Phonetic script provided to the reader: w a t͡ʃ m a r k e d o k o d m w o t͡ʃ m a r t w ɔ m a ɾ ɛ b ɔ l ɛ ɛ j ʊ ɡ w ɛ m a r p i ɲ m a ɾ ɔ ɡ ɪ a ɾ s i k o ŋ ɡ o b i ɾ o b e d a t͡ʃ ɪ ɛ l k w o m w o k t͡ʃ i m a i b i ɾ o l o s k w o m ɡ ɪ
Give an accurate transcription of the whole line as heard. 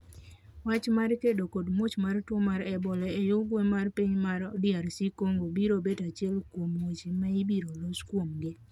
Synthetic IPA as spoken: w a t͡ʃ m a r k e d o k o d m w o t͡ʃ m a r t w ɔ m a ɾ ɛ b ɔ l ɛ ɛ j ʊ ɡ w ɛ m a r p i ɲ m a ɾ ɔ d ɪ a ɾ s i k o ŋ ɡ o b i ɾ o b e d a t͡ʃ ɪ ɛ l k w o m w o t͡ʃ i m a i b i ɾ o l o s k w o m ɡ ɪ